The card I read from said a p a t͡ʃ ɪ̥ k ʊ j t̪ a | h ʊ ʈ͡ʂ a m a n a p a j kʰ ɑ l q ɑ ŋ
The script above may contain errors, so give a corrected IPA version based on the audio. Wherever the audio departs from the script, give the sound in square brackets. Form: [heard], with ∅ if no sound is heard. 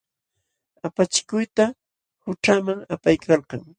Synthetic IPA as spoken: a p a t͡ʃ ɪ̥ k ʊ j t̪ a | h ʊ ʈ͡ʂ a m a [ŋ] a p a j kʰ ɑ l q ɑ ŋ

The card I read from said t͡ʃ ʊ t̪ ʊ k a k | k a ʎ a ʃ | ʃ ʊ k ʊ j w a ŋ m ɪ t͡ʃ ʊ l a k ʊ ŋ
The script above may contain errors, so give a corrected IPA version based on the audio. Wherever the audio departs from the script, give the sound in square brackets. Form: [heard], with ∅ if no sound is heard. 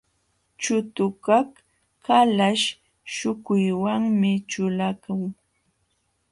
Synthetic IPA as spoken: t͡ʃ ʊ t̪ ʊ k a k | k a [l] a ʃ | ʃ ʊ k ʊ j w a ŋ m ɪ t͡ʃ ʊ l a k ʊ ŋ

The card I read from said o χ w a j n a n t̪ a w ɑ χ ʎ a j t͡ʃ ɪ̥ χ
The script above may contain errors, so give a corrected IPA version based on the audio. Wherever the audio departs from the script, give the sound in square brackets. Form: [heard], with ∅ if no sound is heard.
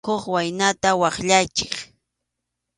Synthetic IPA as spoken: o χ w a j n a [∅] t̪ a w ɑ χ ʎ a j t͡ʃ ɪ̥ χ

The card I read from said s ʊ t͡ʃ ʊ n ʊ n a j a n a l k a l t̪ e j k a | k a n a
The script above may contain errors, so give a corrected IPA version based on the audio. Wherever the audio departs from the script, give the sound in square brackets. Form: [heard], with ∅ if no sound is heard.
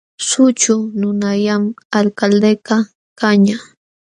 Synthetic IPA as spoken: s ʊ t͡ʃ ʊ n ʊ n a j a [m] a l k a l [d̪] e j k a | k a [ɲ] a

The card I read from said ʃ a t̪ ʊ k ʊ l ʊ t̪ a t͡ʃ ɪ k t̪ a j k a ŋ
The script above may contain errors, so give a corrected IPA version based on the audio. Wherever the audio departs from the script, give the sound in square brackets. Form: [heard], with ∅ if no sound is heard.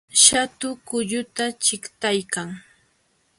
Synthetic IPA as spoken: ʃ a t̪ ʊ k ʊ [ʎ] ʊ t̪ a t͡ʃ ɪ k t̪ a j k a ŋ

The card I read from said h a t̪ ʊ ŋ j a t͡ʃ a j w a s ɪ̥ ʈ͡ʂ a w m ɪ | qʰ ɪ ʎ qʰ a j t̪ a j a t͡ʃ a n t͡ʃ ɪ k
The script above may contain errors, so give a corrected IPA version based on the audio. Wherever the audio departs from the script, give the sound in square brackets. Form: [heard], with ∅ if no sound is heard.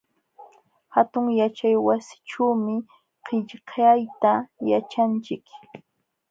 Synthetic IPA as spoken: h a t̪ ʊ ŋ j a t͡ʃ a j w a s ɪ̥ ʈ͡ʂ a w m ɪ | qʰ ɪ ʎ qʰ a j t̪ a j a t͡ʃ a n t͡ʃ ɪ k

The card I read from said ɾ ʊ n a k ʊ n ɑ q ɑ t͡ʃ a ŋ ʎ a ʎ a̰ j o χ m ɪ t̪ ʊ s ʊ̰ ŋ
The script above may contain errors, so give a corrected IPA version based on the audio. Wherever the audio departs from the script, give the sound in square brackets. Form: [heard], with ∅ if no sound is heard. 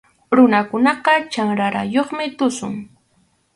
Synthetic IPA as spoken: ɾ ʊ n a k ʊ n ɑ q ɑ t͡ʃ a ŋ [ɾ] a [ɾ] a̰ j o χ m ɪ t̪ ʊ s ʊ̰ ŋ

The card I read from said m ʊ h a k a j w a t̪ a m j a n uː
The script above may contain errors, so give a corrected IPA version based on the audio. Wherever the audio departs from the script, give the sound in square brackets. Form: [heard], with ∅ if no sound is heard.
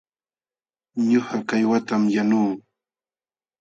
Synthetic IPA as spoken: [ɲ] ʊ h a k a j w a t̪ a m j a n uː

